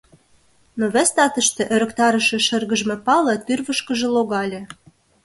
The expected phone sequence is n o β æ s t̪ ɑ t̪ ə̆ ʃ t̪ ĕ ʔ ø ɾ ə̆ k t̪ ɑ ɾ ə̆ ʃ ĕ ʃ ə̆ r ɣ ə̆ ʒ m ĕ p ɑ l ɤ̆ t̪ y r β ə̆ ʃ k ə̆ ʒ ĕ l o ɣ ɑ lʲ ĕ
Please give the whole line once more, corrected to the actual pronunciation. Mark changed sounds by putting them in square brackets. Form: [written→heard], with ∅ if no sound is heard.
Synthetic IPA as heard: n o β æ s t̪ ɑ t̪ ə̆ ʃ t̪ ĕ ʔ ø ɾ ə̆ k t̪ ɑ ɾ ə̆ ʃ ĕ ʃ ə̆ r ɣ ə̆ ʒ m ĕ p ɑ l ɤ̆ t̪ y r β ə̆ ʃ k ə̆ ʒ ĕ l o ɣ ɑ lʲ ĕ